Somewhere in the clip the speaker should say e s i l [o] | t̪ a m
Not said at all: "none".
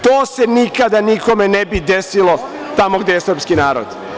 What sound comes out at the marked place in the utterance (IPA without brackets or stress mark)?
o